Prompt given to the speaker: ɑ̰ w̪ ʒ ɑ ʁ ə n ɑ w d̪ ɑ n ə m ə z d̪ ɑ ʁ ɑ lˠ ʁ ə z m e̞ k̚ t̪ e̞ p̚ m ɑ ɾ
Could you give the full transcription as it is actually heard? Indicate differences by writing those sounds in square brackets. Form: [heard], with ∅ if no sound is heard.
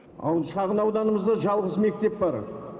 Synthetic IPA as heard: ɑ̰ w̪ [ʃ] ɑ ʁ ə n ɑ w d̪ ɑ n ə m ə z d̪ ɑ [ʒ] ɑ lˠ ʁ ə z m e̞ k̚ t̪ e̞ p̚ [b] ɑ ɾ